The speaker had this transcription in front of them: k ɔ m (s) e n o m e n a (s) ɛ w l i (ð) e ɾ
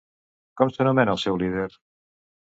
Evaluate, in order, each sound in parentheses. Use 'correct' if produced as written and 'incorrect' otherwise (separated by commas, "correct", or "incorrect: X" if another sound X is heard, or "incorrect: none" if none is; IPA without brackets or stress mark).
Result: correct, correct, correct